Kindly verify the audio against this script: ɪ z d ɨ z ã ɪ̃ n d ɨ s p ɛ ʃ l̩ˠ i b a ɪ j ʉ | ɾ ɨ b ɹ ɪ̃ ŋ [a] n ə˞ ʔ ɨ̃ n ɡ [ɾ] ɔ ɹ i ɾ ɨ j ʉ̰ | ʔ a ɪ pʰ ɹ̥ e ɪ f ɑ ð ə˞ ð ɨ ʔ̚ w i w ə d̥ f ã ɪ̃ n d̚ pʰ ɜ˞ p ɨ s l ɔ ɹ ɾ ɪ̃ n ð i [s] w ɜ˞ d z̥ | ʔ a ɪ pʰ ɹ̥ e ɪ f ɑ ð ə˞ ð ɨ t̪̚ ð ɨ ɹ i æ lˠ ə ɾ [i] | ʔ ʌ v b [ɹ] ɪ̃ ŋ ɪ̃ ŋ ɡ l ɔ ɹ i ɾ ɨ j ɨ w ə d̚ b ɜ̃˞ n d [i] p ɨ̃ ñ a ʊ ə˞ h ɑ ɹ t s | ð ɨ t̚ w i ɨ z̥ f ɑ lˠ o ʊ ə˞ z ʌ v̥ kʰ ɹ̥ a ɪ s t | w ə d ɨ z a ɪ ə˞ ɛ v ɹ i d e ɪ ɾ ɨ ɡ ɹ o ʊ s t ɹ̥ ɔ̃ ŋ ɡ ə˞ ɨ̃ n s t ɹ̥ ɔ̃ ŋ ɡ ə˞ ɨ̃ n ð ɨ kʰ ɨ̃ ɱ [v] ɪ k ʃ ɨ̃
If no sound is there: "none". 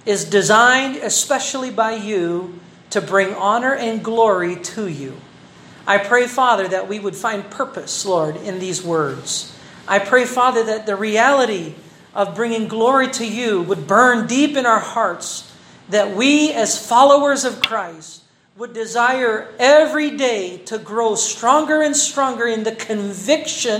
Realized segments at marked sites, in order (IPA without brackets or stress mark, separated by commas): ɑ, l, z, i, ɹ, i, v